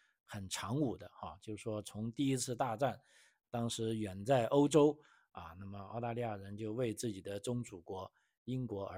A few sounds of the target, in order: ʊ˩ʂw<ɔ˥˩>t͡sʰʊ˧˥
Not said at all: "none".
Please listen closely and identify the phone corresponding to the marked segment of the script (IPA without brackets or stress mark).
ɔ˥